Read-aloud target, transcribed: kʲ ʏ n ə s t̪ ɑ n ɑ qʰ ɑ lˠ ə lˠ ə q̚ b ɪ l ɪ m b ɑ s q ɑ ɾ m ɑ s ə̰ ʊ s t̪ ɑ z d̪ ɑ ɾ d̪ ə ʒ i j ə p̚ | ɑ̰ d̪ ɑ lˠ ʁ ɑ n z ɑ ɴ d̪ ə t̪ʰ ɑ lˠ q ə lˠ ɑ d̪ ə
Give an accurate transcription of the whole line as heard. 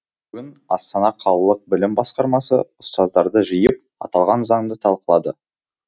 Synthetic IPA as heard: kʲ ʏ n ɑ s t̪ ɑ n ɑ qʰ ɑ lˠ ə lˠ ə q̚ b ɪ l ɪ m b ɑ s q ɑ ɾ m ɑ s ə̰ ʊ s t̪ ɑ z d̪ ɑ ɾ d̪ ə ʒ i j ə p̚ | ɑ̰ t̪ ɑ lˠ ʁ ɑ n z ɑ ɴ d̪ ə t̪ʰ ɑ lˠ q ə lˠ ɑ d̪ ə